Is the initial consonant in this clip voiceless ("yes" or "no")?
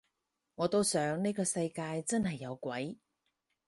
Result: no